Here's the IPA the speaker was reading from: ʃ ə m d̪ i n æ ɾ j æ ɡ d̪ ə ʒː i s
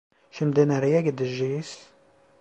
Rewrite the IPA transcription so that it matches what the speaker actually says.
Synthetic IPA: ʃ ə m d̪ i n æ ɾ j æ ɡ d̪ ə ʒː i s